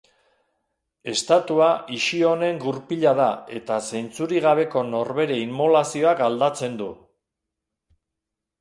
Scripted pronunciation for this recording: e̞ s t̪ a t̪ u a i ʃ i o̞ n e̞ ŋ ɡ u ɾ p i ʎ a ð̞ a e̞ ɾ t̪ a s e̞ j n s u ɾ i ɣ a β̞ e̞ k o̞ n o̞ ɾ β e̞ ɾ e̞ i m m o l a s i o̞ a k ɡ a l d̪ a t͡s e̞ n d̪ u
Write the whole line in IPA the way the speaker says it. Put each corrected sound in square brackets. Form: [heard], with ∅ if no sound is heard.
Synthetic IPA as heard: e̞ s t̪ a t̪ u a i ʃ i o̞ n e̞ ŋ ɡ u ɾ p i ʎ a ð̞ a e̞ [∅] t̪ a s e̞ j n [t͡s] u ɾ i ɣ a β̞ e̞ k o̞ n o̞ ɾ β e̞ ɾ e̞ i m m o l a s i o̞ a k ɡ a l d̪ a t͡s e̞ n d̪ u

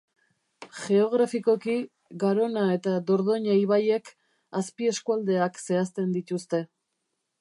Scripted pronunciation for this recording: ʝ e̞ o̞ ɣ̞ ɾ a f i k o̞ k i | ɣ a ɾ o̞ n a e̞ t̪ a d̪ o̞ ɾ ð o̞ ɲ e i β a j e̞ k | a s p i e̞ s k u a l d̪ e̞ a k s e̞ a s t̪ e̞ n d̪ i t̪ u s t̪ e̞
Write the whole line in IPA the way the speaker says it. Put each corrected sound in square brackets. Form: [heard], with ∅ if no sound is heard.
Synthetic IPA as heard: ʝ e̞ o̞ ɣ̞ ɾ a f i k o̞ k i | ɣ a ɾ o̞ n a e̞ t̪ a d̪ o̞ ɾ ð o̞ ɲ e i β a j e̞ k | a s p i e̞ s k u a l d̪ e̞ a k s e̞ a s t̪ e̞ n d̪ i t̪ u s t̪ e̞

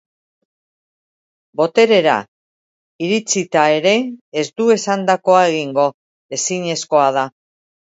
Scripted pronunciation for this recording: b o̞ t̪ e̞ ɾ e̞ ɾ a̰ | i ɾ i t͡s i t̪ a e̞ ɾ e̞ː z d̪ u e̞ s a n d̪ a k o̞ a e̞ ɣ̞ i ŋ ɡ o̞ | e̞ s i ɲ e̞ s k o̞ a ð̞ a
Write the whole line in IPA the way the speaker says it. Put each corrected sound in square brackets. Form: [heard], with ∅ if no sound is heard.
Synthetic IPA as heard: b o̞ t̪ e̞ ɾ e̞ ɾ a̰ | i ɾ i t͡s i t̪ a e̞ ɾ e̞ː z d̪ u e̞ s a n d̪ a k o̞ a e̞ ɣ̞ i ŋ ɡ o̞ | e̞ s i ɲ e̞ s k o̞ a ð̞ a

